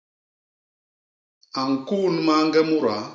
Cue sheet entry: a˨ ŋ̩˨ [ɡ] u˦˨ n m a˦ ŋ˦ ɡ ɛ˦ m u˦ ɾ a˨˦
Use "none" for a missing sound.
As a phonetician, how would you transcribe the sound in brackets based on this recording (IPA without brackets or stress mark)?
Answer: k